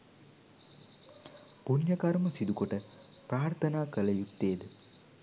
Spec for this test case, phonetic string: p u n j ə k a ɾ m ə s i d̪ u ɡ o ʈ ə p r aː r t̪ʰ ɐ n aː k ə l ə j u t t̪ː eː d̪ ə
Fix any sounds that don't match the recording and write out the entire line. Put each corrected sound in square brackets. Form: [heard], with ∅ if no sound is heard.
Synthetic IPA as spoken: p u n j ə k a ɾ m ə s i d̪ u [k] o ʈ ə p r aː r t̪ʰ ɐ n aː k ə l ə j u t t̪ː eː d̪ ə